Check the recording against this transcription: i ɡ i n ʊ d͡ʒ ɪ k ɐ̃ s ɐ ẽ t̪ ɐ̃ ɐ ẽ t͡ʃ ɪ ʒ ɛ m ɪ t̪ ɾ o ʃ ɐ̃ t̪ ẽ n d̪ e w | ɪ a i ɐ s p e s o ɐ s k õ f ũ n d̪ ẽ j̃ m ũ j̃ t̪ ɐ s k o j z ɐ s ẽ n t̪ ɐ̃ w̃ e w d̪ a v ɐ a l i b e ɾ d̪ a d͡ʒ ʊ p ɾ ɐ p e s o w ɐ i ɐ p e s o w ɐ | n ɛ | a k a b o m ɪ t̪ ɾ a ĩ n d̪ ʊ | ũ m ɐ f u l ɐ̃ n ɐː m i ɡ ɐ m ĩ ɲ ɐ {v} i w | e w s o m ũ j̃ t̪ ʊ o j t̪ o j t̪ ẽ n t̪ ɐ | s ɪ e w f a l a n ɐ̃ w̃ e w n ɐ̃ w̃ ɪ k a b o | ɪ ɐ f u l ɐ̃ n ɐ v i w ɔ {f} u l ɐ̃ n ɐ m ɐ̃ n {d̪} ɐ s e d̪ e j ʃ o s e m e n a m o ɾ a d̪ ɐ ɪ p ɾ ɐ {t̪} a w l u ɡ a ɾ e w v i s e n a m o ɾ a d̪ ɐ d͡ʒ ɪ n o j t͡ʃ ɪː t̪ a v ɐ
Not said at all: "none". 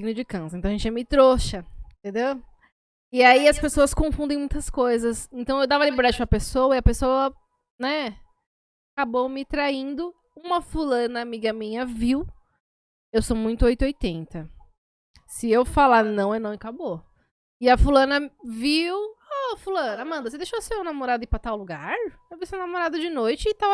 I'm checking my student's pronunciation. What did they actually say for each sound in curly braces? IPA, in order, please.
v, f, d̪, t̪

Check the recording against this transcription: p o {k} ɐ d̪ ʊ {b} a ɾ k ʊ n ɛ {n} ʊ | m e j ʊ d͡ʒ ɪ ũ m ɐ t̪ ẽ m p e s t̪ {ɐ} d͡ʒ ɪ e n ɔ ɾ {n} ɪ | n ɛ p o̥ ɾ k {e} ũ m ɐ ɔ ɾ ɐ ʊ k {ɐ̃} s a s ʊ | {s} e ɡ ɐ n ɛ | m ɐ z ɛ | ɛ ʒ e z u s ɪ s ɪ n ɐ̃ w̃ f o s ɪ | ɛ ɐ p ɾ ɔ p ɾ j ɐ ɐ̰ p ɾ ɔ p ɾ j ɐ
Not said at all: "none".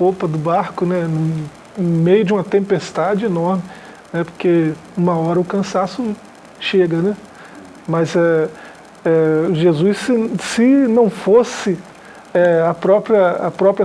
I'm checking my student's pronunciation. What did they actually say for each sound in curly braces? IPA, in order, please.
p, b, n, a, m, e, ɐ̃, ʃ

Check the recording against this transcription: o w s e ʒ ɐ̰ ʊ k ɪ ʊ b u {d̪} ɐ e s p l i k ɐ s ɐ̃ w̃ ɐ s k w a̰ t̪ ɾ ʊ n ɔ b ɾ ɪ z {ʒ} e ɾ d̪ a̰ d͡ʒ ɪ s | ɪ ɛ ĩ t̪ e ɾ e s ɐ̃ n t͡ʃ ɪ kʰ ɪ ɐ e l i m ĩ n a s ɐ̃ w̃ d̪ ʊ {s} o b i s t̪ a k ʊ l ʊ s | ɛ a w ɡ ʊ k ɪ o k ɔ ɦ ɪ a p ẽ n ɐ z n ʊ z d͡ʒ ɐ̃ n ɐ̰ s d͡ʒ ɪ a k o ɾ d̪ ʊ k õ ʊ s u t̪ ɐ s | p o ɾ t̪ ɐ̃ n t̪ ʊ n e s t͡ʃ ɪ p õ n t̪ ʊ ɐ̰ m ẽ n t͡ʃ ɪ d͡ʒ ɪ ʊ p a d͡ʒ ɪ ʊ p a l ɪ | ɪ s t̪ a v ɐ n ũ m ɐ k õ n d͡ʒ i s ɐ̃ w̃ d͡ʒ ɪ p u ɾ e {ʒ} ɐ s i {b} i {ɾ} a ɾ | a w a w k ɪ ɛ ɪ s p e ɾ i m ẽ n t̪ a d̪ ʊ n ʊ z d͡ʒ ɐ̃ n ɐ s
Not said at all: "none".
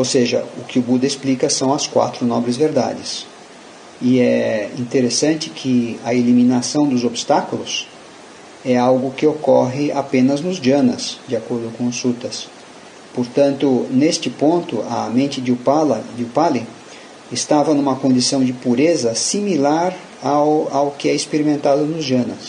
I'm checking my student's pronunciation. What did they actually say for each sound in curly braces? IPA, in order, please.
d̪, v, z, z, m, l

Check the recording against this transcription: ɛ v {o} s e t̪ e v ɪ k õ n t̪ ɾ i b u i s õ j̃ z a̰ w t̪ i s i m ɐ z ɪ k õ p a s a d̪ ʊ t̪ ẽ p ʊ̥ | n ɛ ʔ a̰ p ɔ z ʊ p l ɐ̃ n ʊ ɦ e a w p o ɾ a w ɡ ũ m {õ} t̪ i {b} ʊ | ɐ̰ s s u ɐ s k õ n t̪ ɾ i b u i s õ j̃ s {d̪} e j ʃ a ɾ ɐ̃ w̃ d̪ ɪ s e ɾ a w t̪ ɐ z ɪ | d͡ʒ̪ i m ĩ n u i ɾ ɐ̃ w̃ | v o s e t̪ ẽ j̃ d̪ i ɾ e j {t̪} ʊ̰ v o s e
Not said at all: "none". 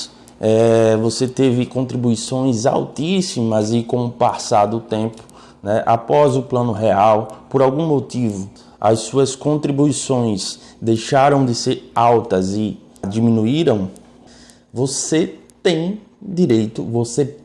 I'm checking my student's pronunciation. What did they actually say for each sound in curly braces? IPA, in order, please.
o, o, v, d̪, t̪

